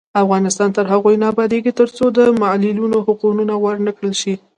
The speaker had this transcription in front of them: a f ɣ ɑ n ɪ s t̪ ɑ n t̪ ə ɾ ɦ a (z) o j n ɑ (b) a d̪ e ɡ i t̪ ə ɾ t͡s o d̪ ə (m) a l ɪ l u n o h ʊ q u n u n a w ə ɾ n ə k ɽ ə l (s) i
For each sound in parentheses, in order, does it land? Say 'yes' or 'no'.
no, yes, yes, no

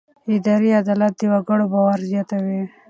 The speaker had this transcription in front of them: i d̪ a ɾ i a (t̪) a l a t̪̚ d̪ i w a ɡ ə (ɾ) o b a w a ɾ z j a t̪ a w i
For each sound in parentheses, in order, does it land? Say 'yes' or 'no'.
no, no

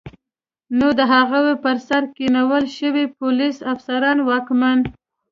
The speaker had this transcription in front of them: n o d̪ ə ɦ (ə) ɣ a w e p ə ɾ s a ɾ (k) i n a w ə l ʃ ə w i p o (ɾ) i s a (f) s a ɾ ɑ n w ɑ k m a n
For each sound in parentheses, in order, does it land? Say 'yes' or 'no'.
no, yes, no, yes

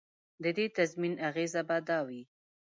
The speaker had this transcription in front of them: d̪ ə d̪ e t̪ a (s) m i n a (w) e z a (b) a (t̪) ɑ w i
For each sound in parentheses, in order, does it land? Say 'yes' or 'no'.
no, no, yes, no

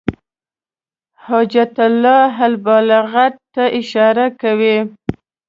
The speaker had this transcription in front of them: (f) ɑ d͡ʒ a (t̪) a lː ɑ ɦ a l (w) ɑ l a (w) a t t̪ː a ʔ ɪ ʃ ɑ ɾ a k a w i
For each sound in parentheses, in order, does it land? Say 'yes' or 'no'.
no, yes, no, no

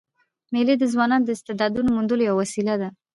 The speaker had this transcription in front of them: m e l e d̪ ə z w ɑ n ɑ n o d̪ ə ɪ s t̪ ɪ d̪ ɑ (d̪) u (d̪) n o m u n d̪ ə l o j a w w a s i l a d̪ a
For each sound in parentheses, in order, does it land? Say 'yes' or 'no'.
yes, no

